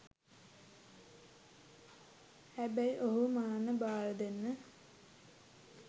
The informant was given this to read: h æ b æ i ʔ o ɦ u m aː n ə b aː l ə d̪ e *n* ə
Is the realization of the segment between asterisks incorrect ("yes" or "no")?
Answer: yes